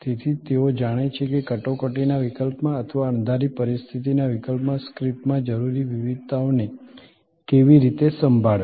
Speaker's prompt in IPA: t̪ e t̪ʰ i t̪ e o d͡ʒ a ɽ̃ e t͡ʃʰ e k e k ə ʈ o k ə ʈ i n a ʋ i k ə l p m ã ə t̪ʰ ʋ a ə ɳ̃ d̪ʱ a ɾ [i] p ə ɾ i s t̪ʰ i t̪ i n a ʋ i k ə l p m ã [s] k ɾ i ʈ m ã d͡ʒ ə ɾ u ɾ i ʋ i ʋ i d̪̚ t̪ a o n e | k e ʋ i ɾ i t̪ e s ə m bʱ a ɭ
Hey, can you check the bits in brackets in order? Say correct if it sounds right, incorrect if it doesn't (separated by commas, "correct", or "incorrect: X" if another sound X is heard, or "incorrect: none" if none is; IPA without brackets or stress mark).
correct, correct